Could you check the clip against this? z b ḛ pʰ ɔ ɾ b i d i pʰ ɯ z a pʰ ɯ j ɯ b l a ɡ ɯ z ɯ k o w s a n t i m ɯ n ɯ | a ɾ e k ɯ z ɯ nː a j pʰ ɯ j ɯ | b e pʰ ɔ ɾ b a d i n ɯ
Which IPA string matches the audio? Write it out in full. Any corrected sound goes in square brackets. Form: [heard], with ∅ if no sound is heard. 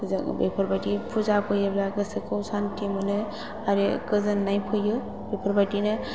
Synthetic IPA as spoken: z b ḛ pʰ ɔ ɾ b [a] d i pʰ [u] z a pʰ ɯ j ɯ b l a ɡ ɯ [s] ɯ k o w s a n t i m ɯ n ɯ | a ɾ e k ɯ z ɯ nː a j pʰ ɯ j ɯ | b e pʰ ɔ ɾ b a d i n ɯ